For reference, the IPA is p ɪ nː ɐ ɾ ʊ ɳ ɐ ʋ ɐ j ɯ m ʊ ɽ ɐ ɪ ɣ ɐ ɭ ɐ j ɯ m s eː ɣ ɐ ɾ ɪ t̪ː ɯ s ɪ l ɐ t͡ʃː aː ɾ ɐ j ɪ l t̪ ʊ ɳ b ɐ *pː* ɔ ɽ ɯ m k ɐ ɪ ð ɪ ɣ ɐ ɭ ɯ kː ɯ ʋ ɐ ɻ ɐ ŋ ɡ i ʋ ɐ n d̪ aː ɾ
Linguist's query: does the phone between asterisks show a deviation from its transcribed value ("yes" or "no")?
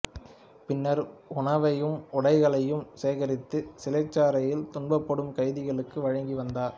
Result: no